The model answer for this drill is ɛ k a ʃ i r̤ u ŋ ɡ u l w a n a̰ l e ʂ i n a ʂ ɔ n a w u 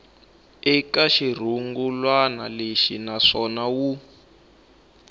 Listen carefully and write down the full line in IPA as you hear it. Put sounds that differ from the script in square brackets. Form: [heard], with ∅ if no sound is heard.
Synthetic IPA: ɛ k a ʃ i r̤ u ŋ ɡ u l w a n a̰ l e [ʃ] i n a ʂ ɔ n a w u